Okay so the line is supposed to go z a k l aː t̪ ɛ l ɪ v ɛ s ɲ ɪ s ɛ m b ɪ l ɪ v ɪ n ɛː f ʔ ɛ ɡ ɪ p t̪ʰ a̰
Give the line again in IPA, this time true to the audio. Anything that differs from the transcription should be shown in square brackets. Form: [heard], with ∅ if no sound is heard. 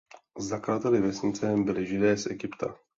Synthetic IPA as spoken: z a k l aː t̪ ɛ l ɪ v ɛ s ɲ ɪ [t͡s] ɛ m b ɪ l ɪ [ʒ] ɪ [d] ɛː [s] ʔ ɛ ɡ ɪ p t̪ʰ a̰